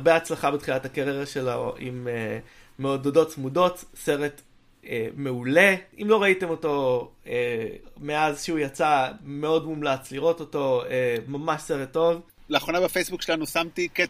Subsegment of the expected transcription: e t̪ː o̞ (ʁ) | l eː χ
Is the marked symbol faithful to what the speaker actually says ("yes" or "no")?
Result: no